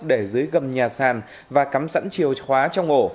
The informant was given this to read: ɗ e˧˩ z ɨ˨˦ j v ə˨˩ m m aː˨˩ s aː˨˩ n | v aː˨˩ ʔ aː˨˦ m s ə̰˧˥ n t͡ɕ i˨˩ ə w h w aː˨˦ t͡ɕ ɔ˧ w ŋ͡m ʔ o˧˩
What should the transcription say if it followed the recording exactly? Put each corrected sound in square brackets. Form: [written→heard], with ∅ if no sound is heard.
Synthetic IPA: ɗ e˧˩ z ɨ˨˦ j [v→ɣ] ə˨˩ m [m→ɲ] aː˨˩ s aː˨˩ n | v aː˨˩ [ʔ→k] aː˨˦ m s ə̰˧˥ n t͡ɕ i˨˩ ə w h w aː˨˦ t͡ɕ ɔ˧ w ŋ͡m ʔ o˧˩

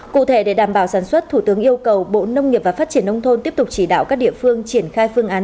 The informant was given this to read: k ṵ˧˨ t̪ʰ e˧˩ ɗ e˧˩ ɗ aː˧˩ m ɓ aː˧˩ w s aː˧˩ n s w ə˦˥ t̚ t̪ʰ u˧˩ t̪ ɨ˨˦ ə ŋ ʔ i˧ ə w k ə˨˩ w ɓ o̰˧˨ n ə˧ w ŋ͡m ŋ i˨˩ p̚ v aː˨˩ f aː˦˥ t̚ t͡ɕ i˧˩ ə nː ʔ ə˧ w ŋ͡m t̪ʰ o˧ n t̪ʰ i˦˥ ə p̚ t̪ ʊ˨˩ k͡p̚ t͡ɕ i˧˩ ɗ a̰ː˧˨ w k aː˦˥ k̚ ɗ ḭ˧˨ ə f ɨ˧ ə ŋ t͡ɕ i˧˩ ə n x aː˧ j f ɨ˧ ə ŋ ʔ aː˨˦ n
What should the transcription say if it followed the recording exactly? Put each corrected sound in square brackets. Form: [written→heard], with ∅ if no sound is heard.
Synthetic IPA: k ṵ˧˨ t̪ʰ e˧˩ ɗ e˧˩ ɗ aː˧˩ m ɓ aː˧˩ w s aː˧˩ n s w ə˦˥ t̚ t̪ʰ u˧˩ t̪ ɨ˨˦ ə ŋ ʔ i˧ ə w k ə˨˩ w ɓ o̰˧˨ n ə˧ w ŋ͡m ŋ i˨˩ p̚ v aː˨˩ f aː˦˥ t̚ t͡ɕ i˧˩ ə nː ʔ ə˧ w ŋ͡m t̪ʰ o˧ n [t̪ʰ→t̪] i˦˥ ə p̚ t̪ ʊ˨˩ k͡p̚ t͡ɕ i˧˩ ɗ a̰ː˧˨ w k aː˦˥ k̚ ɗ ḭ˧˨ ə f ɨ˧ ə ŋ t͡ɕ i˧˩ ə n x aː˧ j f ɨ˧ ə ŋ ʔ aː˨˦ n

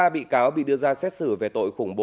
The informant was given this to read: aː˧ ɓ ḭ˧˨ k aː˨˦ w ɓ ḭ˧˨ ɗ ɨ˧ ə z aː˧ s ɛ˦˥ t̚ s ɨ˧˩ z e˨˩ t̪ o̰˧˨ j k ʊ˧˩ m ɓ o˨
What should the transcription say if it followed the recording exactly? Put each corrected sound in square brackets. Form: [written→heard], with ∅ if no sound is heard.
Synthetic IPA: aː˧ ɓ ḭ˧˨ k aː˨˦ w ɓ ḭ˧˨ ɗ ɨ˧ ə z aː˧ s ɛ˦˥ t̚ s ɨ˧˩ [z→v] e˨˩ t̪ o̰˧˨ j [k→x] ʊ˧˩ [m→ŋ͡m] ɓ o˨

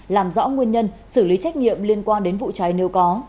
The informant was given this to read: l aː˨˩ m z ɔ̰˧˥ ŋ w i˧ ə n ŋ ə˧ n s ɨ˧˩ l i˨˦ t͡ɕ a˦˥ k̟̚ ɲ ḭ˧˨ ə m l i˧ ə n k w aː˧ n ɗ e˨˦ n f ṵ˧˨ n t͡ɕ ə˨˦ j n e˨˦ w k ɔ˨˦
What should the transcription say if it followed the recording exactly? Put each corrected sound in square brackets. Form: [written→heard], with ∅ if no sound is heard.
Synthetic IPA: l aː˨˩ m z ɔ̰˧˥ ŋ w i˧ ə n [ŋ→ɲ] ə˧ n s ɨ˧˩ l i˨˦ t͡ɕ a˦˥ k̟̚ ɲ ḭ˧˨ ə m l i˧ ə n k w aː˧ n ɗ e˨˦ n [f→v] ṵ˧˨ [n→∅] t͡ɕ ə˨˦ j n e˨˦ w k ɔ˨˦

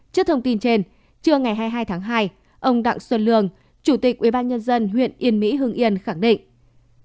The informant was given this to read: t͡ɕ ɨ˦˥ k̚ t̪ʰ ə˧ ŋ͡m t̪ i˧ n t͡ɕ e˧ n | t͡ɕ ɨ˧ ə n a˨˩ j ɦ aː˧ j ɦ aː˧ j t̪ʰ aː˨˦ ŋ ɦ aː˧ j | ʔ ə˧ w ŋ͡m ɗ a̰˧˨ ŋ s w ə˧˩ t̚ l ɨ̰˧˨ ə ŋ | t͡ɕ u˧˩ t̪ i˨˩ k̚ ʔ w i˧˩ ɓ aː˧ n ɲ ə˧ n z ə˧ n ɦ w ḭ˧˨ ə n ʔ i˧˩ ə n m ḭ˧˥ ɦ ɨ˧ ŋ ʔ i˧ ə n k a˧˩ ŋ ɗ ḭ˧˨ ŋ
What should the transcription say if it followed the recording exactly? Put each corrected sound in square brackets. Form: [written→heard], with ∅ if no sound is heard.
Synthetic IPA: t͡ɕ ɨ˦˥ k̚ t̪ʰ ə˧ ŋ͡m t̪ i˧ n t͡ɕ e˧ n | t͡ɕ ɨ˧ ə [n→ŋ] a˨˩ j ɦ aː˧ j ɦ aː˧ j t̪ʰ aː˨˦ ŋ ɦ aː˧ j | ʔ ə˧ w ŋ͡m ɗ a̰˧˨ ŋ s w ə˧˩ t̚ l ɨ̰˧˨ ə ŋ | t͡ɕ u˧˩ t̪ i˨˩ k̚ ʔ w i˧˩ ɓ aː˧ n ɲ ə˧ n z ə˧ n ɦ w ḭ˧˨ ə n ʔ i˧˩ ə n m ḭ˧˥ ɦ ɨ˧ ŋ ʔ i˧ ə n [k→x] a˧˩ ŋ ɗ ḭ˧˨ ŋ

